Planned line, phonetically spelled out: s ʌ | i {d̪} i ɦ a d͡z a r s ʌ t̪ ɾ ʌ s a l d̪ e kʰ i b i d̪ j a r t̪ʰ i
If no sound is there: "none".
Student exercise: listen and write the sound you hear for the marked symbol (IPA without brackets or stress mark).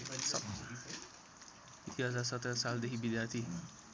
t̪